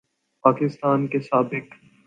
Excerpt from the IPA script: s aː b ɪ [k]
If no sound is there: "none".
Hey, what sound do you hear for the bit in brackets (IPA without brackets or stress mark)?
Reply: k